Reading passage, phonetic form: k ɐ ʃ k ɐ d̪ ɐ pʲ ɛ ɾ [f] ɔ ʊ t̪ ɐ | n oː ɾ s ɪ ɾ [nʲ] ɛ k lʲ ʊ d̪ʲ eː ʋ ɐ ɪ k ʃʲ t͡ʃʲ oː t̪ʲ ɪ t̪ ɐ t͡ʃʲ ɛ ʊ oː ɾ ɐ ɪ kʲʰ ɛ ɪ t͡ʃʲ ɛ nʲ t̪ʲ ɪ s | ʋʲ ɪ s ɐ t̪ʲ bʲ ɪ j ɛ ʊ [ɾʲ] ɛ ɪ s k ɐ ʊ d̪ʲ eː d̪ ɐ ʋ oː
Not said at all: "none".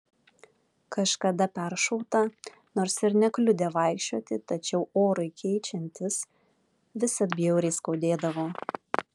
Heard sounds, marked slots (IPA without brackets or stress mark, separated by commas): ʃ, nʲ, ɾʲ